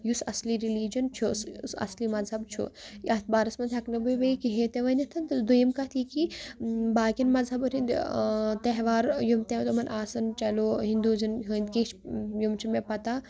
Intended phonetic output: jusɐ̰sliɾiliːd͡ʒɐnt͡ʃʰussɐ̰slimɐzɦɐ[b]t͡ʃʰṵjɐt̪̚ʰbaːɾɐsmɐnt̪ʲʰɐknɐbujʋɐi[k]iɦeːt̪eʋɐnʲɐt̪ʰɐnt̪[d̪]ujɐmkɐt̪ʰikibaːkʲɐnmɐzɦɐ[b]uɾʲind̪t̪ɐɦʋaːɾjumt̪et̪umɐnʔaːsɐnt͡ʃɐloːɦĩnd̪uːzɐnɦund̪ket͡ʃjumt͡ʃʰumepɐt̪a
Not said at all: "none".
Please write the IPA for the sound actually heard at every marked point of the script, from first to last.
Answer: b, k, d̪, b

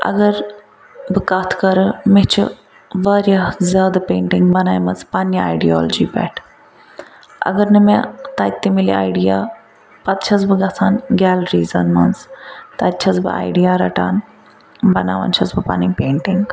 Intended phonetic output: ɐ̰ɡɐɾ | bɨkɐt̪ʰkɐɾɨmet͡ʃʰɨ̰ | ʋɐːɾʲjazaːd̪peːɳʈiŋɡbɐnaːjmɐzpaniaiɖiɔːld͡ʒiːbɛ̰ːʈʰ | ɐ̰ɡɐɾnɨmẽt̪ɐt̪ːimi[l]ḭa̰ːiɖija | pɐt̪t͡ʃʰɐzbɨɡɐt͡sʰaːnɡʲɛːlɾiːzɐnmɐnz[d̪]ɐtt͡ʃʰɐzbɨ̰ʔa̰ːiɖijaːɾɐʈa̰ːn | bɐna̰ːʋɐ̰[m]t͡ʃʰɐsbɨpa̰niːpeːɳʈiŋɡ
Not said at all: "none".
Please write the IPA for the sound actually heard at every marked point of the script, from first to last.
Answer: l, t̪, n

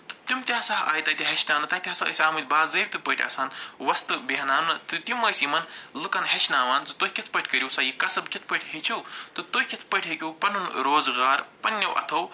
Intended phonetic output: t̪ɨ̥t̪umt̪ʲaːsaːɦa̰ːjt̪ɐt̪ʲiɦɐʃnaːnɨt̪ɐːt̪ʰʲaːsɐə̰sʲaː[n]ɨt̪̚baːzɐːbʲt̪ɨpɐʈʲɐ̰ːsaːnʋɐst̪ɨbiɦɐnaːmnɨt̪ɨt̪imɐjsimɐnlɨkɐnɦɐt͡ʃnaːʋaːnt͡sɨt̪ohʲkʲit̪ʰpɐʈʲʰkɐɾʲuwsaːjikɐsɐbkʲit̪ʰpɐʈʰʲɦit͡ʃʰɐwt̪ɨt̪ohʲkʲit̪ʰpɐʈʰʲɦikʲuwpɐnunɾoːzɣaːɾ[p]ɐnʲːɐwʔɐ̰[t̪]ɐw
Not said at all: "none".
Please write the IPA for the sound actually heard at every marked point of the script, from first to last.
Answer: m, p, t̪ʰ

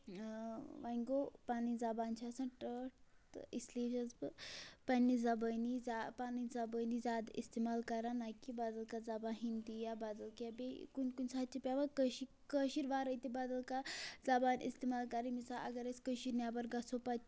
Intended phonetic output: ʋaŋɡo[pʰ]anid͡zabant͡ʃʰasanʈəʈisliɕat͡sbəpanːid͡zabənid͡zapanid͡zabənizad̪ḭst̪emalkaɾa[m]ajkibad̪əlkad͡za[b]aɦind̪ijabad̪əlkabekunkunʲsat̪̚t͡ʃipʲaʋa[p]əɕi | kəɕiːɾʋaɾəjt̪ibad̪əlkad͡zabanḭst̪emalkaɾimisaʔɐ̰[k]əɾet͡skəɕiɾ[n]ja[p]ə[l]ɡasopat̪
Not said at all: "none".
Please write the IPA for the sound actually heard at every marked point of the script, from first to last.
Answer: p, n, b, k, ɡ, n, b, ɾ

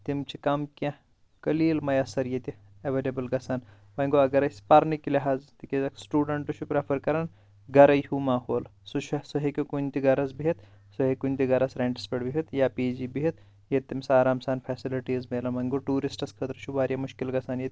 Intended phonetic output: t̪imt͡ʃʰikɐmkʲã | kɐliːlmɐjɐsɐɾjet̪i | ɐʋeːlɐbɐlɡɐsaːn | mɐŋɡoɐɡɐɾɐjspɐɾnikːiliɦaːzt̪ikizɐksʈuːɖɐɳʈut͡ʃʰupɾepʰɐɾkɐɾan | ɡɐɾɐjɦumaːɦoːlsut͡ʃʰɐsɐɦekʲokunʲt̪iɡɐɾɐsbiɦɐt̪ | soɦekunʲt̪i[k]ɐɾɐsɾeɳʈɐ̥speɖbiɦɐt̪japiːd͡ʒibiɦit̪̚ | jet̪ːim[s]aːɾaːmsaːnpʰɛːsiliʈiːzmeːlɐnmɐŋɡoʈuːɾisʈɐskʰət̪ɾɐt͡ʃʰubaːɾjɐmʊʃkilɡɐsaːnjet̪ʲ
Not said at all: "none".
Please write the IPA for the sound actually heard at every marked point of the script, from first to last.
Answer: ɡ, s

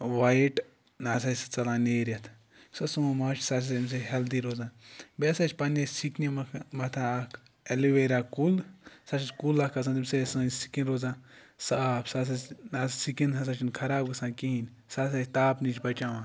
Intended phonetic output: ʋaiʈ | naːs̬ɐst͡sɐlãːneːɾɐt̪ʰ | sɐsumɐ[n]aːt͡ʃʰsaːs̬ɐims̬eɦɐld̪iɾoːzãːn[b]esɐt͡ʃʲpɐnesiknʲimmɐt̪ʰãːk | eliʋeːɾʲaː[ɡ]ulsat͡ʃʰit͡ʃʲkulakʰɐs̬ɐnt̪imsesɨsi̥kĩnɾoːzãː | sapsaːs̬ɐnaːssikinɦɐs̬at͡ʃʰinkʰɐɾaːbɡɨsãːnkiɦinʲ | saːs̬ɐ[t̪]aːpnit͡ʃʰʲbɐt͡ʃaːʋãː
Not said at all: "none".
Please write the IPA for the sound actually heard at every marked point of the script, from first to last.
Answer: m, b, k, t̪

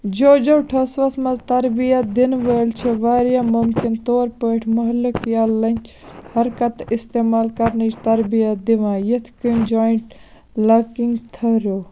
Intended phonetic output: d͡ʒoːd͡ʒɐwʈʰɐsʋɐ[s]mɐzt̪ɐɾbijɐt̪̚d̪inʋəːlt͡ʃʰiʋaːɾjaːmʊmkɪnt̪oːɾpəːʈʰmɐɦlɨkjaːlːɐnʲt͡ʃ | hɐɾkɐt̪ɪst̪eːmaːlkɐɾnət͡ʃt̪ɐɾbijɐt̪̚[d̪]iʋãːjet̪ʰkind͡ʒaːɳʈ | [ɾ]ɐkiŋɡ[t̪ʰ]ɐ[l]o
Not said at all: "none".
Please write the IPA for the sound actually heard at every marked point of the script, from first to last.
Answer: s, d̪, l, t̪ʰ, ɾ

